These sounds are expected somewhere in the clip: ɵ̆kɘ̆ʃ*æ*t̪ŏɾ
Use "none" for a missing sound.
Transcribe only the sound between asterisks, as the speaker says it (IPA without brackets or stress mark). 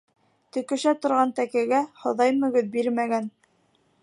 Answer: æ